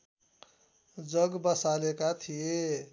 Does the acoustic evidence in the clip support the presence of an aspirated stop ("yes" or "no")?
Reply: yes